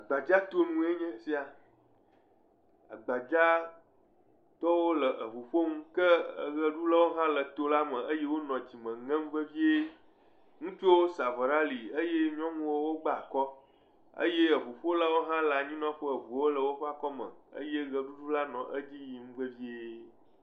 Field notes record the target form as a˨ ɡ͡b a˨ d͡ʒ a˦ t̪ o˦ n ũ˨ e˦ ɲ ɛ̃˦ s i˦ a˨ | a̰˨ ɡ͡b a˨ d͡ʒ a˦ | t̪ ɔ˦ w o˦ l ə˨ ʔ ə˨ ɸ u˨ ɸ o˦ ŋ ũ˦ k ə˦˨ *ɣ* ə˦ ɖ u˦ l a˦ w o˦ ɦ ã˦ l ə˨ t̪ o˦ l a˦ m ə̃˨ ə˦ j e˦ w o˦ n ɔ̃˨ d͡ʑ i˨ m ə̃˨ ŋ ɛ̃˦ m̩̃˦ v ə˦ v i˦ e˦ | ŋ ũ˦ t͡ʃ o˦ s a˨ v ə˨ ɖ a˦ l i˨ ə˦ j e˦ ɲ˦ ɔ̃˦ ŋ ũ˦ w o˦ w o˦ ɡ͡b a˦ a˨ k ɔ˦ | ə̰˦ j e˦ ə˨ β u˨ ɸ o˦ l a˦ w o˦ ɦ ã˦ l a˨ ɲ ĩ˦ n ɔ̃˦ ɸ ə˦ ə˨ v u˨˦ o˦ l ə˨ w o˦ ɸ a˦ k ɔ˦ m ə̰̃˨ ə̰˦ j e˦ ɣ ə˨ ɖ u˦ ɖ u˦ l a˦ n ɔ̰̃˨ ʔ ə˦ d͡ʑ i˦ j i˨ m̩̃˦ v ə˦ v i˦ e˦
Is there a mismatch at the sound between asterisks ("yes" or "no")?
no